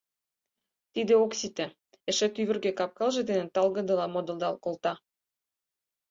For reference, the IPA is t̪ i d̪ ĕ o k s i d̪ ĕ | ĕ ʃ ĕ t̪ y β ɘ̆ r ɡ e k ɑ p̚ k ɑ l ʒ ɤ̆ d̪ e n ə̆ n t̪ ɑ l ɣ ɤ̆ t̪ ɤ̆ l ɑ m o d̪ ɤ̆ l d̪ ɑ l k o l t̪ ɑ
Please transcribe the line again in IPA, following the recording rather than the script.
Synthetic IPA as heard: t̪ i d̪ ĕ o k s i t̪ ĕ | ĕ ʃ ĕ t̪ y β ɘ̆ r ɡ e k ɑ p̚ k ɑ l ʒ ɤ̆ d̪ e n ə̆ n t̪ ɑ l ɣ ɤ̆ d̪ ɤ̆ l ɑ m o d̪ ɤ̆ l d̪ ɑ l k o l t̪ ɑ